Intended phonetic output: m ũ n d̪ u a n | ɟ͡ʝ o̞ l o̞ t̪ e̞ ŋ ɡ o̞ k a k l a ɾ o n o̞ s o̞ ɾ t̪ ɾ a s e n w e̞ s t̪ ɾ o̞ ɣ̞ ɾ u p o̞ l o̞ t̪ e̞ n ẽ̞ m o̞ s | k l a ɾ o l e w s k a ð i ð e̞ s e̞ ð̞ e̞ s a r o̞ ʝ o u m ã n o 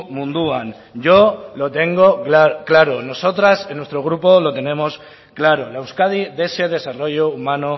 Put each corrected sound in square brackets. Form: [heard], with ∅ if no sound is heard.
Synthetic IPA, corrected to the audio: m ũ n d̪ u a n | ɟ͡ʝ o̞ l o̞ t̪ e̞ ŋ ɡ o̞ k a k l a ɾ o n o̞ s o̞ [∅] t̪ ɾ a s e n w e̞ s t̪ ɾ o̞ ɣ̞ ɾ u p o̞ l o̞ t̪ e̞ n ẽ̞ m o̞ s | k l a ɾ o l e w s k a ð i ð e̞ s e̞ ð̞ e̞ s a r o̞ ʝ o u m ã n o